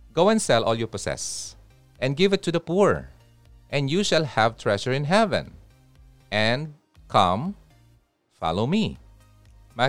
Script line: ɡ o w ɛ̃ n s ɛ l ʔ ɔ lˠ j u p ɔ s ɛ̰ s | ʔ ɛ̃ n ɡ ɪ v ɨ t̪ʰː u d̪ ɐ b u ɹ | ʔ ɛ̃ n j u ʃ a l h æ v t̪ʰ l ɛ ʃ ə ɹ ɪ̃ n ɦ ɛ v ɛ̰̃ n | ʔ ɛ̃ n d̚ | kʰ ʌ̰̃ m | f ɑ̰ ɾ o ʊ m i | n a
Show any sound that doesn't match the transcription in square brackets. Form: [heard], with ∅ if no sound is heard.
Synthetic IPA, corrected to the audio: ɡ o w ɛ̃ n s ɛ l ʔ ɔ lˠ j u p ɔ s ɛ̰ s | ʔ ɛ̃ n ɡ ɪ v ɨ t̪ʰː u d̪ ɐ [p] u ɹ | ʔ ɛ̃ n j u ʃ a l h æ v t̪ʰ [ɹ] ɛ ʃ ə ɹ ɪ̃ n ɦ ɛ v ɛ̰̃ n | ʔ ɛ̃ n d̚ | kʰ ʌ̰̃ m | f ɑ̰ [l] o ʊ m i | [m] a